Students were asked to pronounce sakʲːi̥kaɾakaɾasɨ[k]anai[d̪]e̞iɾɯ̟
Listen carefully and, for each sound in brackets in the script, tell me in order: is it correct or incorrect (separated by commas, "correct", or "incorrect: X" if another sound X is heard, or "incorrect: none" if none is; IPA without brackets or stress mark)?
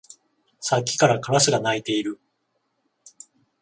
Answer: incorrect: ɡ, incorrect: t̪